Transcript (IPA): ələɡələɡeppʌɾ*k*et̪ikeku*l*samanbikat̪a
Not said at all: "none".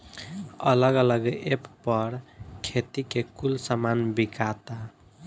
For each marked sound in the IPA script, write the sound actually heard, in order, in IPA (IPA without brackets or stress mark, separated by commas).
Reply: kʰ, l